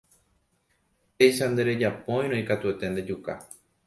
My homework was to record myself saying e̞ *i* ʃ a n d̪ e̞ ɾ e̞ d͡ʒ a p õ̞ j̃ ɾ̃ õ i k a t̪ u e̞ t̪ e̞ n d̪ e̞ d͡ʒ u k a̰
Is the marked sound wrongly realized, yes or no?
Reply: yes